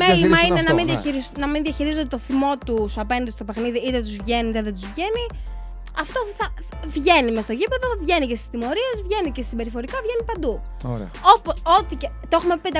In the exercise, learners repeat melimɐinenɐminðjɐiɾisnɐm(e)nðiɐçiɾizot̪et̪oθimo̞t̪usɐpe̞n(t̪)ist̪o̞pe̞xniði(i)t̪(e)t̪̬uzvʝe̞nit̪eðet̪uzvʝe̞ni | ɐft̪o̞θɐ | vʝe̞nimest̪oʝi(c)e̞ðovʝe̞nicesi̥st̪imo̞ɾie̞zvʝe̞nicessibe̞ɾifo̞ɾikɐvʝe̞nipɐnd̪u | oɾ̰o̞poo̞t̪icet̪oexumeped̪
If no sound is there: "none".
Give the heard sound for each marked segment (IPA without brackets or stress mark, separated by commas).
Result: i, d̪, i, e, p